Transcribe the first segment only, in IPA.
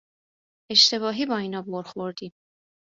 e̞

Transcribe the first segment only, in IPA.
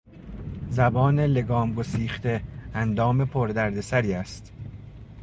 z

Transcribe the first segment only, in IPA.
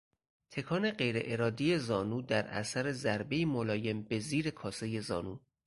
t̪ʰ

